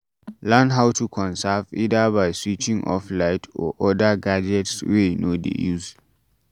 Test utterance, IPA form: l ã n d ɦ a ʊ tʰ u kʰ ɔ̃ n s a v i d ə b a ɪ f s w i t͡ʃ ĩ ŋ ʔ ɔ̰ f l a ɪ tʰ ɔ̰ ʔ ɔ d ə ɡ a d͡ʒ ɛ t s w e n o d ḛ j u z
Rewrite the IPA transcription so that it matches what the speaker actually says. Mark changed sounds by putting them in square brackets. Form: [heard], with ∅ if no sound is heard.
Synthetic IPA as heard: l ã n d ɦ a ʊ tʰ u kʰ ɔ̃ n s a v i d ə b a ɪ [∅] s w i t͡ʃ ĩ ŋ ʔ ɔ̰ f l a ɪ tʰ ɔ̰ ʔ ɔ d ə ɡ a d͡ʒ ɛ t s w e n o d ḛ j u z